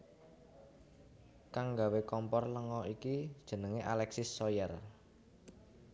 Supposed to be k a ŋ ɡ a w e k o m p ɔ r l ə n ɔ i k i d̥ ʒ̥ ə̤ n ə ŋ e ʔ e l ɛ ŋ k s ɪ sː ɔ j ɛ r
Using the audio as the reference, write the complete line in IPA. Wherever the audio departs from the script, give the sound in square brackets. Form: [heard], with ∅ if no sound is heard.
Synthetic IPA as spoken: k a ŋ ɡ a w e k [ɔ] m p ɔ r l ə [ŋ] ɔ i k i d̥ ʒ̥ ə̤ n ə ŋ e ʔ [a] l ɛ [∅] k s ɪ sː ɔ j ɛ r